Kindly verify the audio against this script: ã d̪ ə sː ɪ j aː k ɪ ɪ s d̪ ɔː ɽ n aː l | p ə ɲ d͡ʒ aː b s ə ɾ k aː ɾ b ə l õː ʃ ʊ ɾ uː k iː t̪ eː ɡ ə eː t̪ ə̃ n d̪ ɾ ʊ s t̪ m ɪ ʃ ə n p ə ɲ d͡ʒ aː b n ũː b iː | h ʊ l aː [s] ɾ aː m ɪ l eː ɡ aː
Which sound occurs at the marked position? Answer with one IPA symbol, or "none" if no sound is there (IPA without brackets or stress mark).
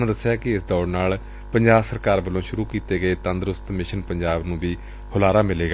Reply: none